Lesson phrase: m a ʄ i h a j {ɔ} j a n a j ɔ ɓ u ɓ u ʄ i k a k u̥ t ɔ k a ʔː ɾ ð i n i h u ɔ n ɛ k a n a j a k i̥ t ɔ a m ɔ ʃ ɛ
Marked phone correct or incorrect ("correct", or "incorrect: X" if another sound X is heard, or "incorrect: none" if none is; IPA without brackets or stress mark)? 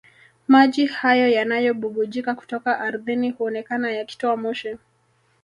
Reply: correct